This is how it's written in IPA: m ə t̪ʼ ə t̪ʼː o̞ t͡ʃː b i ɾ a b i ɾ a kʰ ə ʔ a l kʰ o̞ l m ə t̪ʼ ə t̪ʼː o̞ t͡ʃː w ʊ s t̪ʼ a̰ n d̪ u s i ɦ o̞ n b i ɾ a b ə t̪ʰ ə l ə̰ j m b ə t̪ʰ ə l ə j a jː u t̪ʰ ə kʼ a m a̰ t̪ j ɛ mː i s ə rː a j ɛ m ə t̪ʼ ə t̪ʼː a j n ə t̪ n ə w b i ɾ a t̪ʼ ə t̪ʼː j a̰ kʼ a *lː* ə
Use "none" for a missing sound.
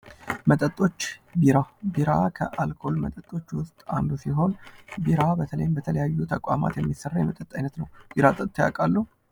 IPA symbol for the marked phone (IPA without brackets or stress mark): lː